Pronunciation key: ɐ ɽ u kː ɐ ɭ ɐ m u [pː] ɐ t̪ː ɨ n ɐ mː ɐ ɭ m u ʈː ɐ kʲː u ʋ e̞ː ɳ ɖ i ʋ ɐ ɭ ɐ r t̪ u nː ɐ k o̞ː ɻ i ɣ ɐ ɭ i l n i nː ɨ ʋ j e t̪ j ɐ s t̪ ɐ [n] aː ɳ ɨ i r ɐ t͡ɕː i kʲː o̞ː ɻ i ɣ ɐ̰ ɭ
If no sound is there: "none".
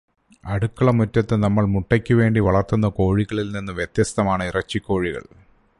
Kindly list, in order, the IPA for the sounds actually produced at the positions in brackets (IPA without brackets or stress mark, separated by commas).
tː, m